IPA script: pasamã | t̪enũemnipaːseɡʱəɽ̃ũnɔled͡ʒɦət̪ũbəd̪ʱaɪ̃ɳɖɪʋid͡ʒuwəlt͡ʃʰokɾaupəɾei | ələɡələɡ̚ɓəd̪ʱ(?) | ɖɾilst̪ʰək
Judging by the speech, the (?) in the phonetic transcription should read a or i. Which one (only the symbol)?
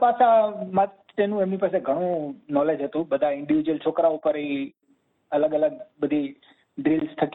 i